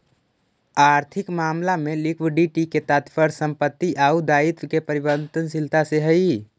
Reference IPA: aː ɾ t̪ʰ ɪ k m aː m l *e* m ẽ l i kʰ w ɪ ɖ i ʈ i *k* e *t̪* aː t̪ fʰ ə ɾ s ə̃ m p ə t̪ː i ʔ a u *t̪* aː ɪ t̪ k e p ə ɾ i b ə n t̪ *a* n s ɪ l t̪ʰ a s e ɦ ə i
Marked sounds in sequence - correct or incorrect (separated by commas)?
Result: incorrect, correct, correct, incorrect, incorrect